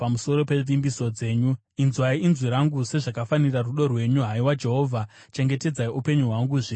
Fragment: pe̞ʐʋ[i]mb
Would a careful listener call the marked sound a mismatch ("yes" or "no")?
no